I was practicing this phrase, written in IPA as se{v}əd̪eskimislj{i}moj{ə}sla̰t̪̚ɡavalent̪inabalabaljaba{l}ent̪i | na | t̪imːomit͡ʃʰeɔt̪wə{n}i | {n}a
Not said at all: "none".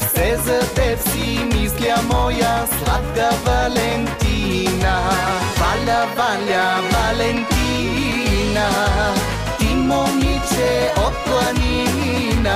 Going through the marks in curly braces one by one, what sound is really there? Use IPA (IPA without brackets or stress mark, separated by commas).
z, a, a, l, n, n